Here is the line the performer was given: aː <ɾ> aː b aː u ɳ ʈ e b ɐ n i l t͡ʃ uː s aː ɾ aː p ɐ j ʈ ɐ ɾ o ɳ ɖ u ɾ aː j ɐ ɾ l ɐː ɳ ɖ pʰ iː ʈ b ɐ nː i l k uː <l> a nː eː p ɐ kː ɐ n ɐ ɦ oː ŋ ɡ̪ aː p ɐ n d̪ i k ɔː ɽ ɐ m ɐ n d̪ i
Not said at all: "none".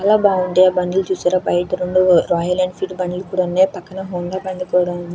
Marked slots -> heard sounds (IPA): l, ɽ

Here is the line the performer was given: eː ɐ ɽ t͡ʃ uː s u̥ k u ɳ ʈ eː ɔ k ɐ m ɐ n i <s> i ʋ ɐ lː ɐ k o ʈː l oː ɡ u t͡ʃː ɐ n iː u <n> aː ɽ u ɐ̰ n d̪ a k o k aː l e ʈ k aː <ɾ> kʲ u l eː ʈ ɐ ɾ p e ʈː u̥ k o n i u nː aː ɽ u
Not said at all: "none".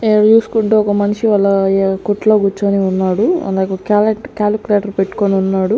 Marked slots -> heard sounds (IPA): ʂ, nː, l

